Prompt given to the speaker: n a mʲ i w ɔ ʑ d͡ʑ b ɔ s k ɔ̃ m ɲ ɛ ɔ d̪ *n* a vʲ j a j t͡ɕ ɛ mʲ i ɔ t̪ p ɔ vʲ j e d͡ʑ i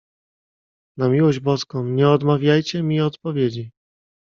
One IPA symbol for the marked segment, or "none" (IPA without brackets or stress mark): m